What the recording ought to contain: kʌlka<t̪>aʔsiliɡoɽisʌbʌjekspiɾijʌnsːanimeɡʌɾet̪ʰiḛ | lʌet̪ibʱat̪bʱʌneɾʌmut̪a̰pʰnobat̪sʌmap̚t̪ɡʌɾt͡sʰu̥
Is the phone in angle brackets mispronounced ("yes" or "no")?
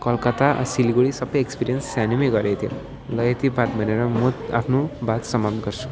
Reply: no